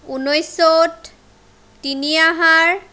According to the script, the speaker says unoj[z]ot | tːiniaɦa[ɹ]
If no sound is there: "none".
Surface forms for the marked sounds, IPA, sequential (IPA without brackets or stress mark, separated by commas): s, ɹ